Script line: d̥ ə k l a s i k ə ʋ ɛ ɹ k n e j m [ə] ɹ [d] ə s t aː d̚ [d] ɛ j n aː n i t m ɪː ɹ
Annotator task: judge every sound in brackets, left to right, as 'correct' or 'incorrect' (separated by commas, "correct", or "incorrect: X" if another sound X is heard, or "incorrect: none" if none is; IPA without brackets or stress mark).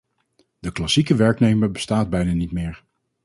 correct, incorrect: b, incorrect: b